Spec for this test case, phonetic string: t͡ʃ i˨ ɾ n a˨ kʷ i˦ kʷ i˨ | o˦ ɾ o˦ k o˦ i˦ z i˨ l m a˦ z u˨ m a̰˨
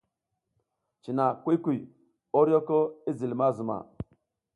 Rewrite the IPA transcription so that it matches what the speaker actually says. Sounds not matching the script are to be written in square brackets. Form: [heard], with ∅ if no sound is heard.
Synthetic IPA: t͡ʃ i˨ [∅] n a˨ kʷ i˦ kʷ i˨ | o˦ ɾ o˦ k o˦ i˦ z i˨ l m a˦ z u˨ m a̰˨